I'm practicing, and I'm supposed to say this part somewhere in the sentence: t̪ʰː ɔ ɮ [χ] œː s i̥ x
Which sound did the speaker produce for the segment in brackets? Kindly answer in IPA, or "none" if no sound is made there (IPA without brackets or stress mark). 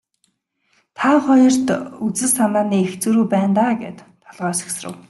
ʁ